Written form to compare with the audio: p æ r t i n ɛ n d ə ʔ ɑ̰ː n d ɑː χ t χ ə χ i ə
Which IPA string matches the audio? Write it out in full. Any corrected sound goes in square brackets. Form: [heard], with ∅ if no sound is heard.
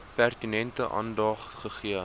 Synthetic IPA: p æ r t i n ɛ n [t] ə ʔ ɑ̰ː n d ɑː χ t χ ə χ i ə